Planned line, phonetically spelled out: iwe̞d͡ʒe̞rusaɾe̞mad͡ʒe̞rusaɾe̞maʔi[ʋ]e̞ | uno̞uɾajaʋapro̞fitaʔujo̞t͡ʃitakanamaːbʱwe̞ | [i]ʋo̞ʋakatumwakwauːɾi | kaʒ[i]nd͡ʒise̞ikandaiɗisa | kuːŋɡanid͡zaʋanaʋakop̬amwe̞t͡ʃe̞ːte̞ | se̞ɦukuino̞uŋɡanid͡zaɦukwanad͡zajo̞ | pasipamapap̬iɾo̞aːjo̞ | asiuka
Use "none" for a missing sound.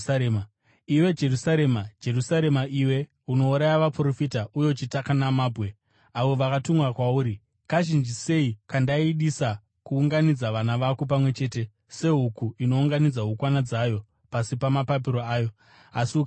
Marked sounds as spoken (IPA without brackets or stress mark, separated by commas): w, a, i